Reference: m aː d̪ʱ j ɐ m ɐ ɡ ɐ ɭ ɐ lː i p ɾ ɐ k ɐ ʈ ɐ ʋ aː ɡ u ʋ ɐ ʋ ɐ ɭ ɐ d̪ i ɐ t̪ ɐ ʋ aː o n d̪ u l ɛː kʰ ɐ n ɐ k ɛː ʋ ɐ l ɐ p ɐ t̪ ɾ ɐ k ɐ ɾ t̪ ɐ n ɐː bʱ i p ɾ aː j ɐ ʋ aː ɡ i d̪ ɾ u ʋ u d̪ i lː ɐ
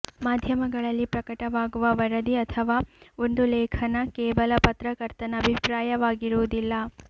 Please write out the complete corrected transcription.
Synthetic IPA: m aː d̪ʱ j ɐ m ɐ ɡ ɐ ɭ ɐ lː i p ɾ ɐ k ɐ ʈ ɐ ʋ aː ɡ u ʋ ɐ ʋ ɐ ɾ ɐ d̪ i ɐ t̪ʰ ɐ ʋ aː o n d̪ u l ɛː kʰ ɐ n ɐ k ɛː ʋ ɐ l ɐ p ɐ t̪ ɾ ɐ k ɐ ɾ t̪ ɐ n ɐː bʱ i p ɾ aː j ɐ ʋ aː ɡ i ɾ u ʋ u d̪ i lː ɐ